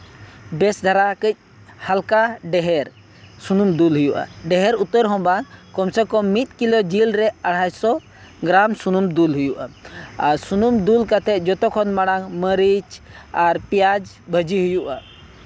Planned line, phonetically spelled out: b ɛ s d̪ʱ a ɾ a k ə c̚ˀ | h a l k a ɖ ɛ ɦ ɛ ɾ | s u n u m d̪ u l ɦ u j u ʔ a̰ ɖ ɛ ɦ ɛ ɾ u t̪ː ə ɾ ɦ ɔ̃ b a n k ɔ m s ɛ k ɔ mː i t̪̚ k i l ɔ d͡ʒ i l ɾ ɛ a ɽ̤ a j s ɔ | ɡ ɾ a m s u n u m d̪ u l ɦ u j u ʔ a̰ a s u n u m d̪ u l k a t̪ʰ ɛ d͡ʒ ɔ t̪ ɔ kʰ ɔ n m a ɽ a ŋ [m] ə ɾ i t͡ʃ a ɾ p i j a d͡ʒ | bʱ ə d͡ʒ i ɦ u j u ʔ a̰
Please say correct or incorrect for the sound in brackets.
correct